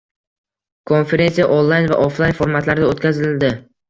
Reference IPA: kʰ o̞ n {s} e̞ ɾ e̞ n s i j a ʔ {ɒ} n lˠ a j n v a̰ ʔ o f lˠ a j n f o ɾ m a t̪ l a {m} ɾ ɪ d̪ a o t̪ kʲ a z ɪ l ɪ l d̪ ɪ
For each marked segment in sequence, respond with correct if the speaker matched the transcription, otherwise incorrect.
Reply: incorrect: f, incorrect: o, incorrect: none

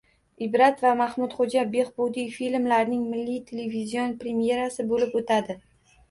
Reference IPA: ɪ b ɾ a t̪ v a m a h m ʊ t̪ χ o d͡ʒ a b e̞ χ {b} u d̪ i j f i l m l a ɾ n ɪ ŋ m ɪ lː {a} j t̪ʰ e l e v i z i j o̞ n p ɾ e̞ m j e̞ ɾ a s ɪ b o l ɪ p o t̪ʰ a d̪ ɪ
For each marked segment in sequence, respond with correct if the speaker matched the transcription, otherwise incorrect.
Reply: correct, incorrect: i

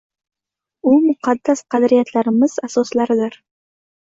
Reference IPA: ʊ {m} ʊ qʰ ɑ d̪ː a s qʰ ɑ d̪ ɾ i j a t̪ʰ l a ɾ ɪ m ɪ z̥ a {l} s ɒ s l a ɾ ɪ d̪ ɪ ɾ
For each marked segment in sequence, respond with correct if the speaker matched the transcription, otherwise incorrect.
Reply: correct, incorrect: none

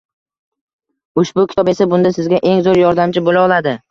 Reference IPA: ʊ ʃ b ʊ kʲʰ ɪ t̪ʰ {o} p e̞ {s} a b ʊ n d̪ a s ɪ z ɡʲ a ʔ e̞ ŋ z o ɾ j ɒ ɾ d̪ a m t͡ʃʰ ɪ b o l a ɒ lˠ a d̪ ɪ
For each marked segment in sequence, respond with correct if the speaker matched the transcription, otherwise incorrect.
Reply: incorrect: ɒ, correct

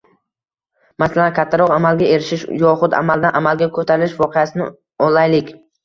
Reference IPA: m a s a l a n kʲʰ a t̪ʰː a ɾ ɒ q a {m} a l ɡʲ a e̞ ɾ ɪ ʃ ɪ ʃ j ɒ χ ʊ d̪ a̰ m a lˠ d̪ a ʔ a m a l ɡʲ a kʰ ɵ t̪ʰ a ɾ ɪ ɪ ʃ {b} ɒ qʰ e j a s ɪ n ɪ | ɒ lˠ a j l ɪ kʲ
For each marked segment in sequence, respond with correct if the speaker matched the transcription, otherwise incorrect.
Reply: correct, incorrect: v

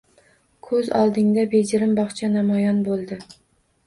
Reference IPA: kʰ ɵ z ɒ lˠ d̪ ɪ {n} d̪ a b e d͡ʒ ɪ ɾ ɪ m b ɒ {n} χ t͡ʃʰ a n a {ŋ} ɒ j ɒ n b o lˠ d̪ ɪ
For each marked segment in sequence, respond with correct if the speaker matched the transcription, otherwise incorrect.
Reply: incorrect: ŋ, incorrect: none, incorrect: m

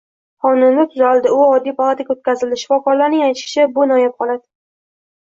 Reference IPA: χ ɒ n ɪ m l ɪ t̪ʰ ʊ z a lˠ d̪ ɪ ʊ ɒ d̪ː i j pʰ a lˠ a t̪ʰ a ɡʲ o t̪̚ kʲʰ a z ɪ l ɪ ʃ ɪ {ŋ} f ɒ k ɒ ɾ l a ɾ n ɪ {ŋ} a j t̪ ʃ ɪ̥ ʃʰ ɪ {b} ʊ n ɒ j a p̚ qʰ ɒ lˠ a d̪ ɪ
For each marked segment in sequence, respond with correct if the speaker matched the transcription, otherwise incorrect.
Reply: incorrect: none, correct, correct

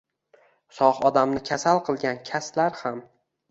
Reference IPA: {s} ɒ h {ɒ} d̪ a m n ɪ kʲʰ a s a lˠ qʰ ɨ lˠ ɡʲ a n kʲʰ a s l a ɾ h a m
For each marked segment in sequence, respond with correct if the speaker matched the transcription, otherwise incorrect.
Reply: correct, correct

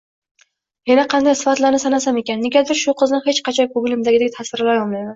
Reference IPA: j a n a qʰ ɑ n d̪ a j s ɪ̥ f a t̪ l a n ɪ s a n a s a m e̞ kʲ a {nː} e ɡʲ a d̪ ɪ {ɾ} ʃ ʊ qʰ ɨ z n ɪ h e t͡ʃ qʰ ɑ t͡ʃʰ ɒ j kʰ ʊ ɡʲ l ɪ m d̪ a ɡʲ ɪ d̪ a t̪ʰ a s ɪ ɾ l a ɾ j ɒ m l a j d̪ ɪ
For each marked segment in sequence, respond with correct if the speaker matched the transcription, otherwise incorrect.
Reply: correct, correct

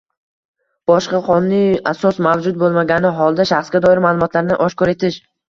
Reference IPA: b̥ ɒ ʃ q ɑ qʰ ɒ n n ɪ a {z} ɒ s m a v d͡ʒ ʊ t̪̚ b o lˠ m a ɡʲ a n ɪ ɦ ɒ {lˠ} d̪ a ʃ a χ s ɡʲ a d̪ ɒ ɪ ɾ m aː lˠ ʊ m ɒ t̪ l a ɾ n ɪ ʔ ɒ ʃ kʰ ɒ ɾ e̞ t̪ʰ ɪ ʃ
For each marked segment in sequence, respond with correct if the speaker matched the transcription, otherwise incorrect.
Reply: incorrect: s, correct

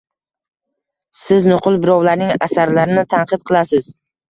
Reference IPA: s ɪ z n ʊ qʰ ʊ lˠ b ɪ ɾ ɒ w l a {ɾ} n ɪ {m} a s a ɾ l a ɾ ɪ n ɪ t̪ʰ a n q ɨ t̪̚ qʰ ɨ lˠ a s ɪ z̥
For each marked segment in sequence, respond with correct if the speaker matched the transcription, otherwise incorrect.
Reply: correct, incorrect: ŋ

